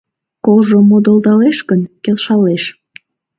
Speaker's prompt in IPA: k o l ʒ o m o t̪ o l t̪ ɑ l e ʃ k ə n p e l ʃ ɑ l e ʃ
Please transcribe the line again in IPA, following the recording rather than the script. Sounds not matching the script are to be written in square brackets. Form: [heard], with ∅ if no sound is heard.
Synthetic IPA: k o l ʒ o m o [d̪] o l [d̪] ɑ l e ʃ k ə n [k] e l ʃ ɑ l e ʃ